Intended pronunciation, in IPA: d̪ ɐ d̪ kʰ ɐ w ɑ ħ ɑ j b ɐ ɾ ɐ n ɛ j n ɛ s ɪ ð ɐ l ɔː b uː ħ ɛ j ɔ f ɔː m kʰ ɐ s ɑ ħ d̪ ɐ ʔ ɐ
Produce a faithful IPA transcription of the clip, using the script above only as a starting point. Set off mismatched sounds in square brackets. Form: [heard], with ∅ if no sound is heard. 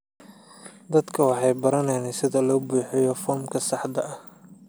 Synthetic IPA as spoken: d̪ ɐ d̪ kʰ ɐ w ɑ ħ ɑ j b ɐ ɾ ɐ n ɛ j n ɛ s ɪ ð ɐ l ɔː b uː ħ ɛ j ɔ f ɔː m kʰ ɐ s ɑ ħ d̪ ɐ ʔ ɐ